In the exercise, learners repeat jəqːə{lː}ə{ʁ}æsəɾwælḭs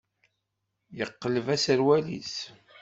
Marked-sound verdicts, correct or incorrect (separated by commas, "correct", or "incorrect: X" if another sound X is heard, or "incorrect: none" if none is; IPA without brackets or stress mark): incorrect: l, incorrect: v